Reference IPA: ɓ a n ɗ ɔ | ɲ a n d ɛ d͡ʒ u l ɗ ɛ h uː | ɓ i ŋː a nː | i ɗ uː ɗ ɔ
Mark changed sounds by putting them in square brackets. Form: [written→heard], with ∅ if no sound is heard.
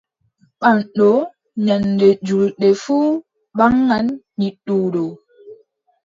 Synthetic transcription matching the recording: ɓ a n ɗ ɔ | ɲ a n d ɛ d͡ʒ u l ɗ ɛ [h→f] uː | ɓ [i→a] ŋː a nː | i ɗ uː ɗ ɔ